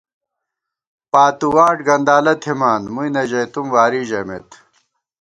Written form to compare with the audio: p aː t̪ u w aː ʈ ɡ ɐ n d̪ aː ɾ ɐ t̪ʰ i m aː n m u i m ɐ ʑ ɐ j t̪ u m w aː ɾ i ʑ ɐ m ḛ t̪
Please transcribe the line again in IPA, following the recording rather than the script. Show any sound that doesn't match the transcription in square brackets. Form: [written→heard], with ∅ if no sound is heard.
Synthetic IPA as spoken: p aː t̪ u w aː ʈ ɡ ɐ n d̪ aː [ɾ→l] ɐ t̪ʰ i m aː n m u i [m→n] ɐ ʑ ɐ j t̪ u m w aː ɾ i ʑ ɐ m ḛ t̪